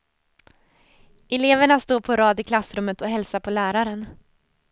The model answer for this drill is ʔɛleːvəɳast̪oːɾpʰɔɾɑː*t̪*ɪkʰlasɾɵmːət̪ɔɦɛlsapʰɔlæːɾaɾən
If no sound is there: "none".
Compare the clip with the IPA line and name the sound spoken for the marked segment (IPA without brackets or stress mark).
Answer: d̪